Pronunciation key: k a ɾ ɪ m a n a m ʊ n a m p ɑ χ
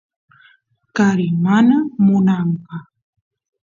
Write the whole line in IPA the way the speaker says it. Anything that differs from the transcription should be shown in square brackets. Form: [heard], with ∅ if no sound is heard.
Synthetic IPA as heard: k a ɾ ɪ m a n a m ʊ n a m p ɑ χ

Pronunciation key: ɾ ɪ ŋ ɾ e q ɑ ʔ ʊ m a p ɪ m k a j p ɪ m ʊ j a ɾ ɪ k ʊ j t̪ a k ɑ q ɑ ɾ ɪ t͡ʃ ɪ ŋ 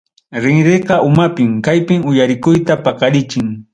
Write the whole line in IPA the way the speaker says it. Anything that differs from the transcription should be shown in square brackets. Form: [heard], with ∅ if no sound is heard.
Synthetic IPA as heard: ɾ ɪ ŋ ɾ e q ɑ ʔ ʊ m a p ɪ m k a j p ɪ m ʊ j a ɾ ɪ k ʊ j t̪ a [p] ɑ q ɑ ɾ ɪ t͡ʃ ɪ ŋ

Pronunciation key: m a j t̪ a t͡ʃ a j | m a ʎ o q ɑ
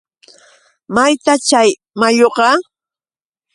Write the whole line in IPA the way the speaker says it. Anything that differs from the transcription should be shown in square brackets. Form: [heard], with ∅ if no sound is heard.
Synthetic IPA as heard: m a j t̪ a t͡ʃ a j | m a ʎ o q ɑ

